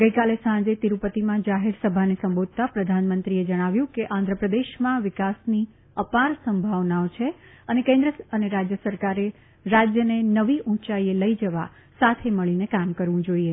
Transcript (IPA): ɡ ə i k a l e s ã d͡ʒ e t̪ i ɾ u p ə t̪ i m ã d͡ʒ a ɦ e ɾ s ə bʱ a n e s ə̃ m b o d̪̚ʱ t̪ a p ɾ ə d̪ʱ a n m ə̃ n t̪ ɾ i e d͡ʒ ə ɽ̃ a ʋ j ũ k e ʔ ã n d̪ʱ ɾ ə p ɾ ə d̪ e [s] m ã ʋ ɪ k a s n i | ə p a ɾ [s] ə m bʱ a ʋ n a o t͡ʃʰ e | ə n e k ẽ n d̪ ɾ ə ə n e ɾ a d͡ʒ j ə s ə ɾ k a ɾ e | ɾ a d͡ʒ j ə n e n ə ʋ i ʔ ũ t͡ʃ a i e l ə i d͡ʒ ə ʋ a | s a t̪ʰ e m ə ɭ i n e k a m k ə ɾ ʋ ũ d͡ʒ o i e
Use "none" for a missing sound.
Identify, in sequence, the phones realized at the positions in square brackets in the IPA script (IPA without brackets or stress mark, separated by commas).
ʃ, s